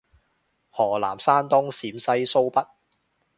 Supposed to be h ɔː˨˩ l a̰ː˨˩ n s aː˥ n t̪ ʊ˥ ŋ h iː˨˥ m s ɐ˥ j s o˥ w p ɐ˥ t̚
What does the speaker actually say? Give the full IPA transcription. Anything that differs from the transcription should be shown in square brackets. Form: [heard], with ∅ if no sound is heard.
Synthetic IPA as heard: h ɔː˨˩ l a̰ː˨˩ [m] s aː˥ n t̪ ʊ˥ ŋ [s] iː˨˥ m s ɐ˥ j s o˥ w p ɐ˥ t̚